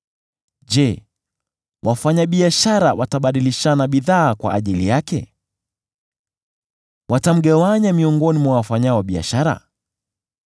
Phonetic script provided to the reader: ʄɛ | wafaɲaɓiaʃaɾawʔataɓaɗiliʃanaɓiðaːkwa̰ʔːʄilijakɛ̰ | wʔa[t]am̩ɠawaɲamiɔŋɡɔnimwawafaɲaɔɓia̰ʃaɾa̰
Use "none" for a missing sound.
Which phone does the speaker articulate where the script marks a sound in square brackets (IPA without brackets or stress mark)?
t